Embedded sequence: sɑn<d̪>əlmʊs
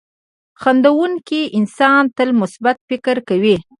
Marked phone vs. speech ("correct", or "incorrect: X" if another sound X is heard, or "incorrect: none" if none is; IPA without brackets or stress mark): incorrect: t̪